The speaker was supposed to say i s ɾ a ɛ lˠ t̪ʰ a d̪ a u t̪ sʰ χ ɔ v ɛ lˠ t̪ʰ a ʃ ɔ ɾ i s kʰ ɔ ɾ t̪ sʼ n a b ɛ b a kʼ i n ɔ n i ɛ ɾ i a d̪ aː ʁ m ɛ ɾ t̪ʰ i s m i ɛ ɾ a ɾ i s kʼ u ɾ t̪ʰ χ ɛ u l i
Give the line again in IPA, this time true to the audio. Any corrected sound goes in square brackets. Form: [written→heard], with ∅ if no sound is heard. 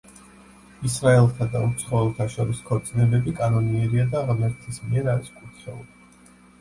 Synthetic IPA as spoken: i s ɾ a ɛ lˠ t̪ʰ a d̪ a u t̪ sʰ χ ɔ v ɛ lˠ t̪ʰ a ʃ ɔ ɾ i s kʰ ɔ ɾ t̪ sʼ n [a→ɛ] b ɛ b [a→i] kʼ [i→a] n ɔ n i ɛ ɾ i a d̪ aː ʁ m ɛ ɾ t̪ʰ i s m i ɛ ɾ a ɾ i s kʼ u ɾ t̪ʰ χ ɛ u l i